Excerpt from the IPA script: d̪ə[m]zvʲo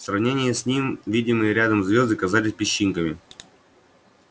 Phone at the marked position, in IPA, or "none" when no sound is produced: m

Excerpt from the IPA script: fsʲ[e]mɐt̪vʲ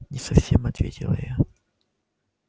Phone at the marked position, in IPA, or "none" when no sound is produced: e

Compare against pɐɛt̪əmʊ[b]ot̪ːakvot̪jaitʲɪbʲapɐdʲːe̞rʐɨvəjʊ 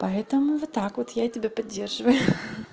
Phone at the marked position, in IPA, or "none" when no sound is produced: v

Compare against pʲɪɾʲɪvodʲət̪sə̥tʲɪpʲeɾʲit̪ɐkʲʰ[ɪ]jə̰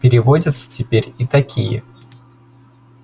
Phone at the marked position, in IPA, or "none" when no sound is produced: i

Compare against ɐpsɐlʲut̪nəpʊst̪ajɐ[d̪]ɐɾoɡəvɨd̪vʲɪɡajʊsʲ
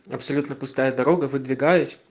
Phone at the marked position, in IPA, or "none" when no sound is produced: d̪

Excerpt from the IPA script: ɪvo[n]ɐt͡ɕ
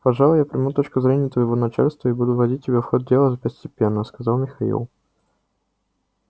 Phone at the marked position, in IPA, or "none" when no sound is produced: n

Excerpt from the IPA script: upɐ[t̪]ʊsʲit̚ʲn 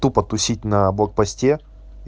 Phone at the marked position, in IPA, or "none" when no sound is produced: t̪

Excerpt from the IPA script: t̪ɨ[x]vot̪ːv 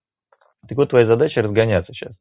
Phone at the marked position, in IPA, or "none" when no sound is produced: k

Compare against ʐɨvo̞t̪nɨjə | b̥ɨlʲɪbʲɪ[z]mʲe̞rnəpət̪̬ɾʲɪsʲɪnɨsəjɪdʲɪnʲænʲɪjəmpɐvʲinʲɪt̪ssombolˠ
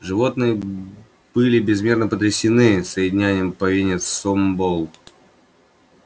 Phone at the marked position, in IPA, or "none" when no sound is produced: z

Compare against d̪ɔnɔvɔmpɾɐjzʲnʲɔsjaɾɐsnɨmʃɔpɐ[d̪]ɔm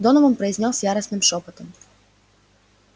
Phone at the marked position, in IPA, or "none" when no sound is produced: t̪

